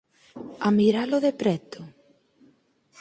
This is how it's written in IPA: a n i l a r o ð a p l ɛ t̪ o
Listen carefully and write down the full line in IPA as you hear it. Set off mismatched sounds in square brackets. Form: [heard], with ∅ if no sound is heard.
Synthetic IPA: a [m] i [ɾ] a [l] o ð [e] p [ɾ] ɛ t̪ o